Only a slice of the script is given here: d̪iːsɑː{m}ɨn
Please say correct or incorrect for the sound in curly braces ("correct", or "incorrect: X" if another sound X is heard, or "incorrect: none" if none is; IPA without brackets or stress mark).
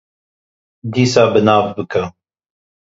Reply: incorrect: b